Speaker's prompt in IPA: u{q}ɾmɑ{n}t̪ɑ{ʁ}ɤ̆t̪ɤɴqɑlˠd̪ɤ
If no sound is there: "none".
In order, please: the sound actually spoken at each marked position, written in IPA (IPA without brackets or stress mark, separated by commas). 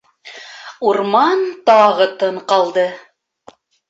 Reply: none, n, ʁ